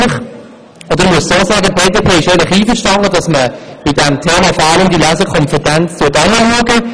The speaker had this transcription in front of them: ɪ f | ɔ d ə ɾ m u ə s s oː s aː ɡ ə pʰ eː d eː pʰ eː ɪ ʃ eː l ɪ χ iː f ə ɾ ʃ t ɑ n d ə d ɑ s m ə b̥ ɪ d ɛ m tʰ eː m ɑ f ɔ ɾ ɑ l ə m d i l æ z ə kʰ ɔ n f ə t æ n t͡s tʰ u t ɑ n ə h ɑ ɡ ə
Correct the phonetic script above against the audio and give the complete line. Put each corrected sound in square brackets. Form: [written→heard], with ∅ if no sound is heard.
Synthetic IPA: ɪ [f→χ] | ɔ d ə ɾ m u ə s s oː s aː ɡ ə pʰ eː d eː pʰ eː ɪ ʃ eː l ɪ χ iː f ə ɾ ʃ t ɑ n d ə d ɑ s m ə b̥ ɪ d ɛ m tʰ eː m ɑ f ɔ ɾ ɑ l ə m d i l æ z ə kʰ ɔ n f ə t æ n t͡s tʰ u t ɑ n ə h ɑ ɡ ə